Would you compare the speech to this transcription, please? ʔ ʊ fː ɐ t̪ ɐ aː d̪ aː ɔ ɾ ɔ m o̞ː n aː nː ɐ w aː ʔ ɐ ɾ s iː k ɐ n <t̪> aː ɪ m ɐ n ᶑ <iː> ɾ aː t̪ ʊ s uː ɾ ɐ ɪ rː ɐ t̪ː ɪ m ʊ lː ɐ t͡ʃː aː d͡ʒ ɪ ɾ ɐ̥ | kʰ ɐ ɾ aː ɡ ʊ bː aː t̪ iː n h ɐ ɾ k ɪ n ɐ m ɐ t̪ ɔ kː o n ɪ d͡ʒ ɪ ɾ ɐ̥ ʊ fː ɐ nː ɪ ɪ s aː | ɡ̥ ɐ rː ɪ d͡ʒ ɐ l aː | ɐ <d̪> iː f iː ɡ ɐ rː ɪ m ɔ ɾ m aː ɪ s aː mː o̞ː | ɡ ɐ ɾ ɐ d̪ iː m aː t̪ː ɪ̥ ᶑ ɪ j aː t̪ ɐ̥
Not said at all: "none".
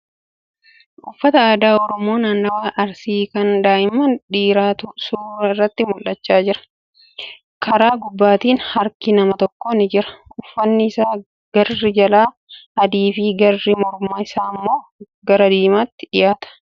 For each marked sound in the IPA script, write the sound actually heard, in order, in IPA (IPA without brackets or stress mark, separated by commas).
d̪, iː, d̪